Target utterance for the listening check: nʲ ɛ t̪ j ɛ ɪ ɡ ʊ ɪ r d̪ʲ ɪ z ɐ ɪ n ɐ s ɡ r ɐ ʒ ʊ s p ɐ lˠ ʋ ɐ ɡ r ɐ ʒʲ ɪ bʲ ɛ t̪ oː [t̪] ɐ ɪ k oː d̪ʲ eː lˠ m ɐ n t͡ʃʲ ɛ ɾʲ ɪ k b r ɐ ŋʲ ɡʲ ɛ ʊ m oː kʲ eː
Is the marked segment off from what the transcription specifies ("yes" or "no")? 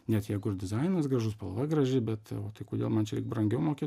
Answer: no